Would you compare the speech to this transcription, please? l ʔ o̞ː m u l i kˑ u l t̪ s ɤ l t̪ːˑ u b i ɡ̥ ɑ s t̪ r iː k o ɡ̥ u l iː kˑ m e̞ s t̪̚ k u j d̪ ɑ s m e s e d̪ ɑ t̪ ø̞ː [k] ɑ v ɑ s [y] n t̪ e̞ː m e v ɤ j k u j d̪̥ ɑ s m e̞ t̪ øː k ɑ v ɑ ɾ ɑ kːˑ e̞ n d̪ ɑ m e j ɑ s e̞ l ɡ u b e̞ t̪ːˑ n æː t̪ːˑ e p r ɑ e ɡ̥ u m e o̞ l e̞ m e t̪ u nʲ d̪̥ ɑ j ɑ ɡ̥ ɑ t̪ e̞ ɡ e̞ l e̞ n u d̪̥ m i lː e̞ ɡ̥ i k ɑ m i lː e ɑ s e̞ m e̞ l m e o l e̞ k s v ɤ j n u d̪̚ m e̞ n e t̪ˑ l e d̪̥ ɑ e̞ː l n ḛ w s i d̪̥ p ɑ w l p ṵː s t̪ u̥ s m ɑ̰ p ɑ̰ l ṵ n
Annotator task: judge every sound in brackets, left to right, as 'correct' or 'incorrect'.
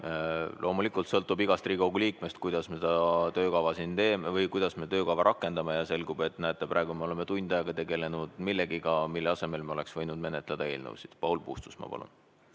correct, incorrect

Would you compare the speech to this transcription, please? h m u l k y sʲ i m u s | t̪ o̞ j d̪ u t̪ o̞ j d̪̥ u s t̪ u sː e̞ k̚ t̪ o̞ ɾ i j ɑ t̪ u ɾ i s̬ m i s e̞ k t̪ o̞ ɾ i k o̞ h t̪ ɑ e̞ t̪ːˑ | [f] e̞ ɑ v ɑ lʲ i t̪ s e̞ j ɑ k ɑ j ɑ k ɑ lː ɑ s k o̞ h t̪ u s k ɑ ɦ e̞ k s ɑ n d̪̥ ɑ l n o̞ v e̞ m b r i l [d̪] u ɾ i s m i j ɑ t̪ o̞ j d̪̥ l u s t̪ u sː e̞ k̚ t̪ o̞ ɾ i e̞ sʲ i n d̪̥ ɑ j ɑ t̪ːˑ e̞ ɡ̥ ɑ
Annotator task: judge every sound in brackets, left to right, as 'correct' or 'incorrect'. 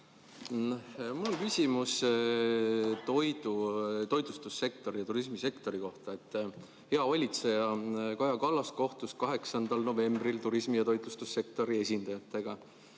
incorrect, incorrect

